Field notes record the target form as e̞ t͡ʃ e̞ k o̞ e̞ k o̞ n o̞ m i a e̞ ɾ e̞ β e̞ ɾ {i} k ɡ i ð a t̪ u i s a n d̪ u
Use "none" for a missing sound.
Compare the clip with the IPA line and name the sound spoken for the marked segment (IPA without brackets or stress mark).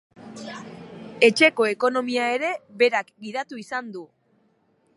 a